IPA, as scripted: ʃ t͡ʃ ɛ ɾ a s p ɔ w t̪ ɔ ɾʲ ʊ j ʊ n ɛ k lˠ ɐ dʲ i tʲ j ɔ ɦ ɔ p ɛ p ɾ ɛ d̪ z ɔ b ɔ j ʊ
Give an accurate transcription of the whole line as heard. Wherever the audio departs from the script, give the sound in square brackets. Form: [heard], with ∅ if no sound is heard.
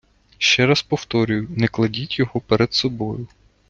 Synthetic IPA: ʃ t͡ʃ ɛ ɾ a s p ɔ w t̪ ɔ ɾʲ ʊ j ʊ n ɛ k lˠ ɐ dʲ i tʲ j ɔ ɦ ɔ p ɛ [∅] ɾ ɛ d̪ [s] ɔ b ɔ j ʊ